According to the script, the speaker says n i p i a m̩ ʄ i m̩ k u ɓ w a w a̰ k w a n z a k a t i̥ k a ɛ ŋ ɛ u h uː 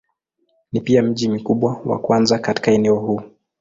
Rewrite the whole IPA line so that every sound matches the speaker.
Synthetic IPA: n i p i a m̩ ʄ i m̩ k u ɓ w a w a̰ k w a n z a k a t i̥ k a ɛ n ɛ ɔ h uː